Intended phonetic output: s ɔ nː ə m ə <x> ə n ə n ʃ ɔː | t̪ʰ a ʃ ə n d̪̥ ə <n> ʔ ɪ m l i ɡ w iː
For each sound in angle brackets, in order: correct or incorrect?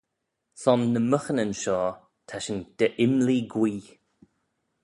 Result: correct, incorrect

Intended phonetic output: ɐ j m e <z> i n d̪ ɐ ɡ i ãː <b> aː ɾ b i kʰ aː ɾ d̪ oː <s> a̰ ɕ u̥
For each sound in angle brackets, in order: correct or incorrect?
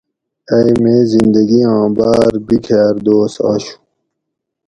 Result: correct, correct, correct

